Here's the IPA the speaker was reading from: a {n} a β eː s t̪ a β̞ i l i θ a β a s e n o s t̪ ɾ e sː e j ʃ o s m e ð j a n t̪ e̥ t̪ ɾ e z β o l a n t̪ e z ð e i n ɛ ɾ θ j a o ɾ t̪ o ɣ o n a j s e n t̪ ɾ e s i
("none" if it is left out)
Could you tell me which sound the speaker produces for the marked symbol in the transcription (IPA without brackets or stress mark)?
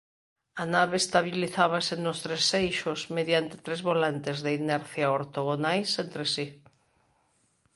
n